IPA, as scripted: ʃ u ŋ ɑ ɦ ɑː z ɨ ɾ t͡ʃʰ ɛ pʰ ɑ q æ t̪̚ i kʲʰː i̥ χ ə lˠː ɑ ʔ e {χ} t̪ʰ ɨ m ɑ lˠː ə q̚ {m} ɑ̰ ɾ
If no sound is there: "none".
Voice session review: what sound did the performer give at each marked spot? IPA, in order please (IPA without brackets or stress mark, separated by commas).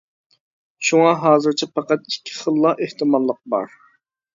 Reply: h, b